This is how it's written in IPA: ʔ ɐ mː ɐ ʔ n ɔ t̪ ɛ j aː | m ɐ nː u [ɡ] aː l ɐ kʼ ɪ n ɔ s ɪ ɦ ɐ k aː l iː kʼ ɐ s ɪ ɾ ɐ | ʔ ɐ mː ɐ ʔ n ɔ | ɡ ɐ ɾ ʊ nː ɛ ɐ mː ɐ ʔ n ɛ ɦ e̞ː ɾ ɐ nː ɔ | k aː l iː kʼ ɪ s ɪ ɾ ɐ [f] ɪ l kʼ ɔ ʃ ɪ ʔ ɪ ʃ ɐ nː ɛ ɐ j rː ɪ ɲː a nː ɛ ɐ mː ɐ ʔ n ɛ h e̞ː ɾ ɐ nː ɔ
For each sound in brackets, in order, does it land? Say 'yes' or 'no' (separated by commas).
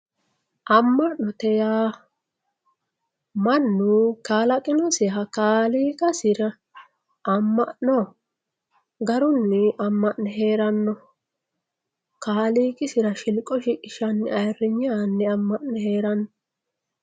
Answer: no, no